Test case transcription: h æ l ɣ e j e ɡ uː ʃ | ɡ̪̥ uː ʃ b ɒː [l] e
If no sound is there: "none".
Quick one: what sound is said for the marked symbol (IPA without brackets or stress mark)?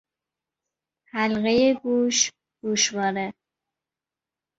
ɾ